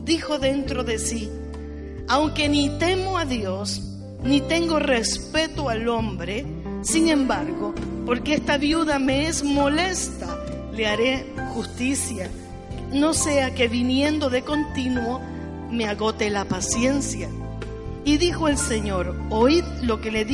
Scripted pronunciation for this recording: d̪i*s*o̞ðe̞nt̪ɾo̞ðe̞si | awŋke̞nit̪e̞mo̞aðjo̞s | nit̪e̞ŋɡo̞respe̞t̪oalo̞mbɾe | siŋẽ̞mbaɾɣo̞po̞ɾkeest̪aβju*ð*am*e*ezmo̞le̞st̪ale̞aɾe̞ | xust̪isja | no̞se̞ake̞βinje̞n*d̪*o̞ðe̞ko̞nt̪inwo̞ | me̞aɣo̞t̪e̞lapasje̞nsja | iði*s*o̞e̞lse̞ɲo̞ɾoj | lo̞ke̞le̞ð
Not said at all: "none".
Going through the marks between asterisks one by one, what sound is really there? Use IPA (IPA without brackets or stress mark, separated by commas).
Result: x, ð, e, d̪, x